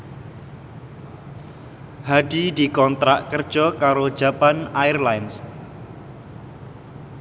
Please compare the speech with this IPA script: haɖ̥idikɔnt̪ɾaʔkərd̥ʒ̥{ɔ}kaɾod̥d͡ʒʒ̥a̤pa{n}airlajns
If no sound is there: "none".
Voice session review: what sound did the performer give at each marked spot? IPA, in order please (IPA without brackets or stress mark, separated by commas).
ɔ, n